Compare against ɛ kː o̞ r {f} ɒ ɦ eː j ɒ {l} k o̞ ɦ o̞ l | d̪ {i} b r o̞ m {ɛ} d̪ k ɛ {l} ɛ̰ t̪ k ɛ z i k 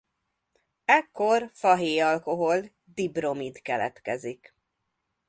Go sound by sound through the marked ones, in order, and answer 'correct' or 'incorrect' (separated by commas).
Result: correct, correct, correct, incorrect, correct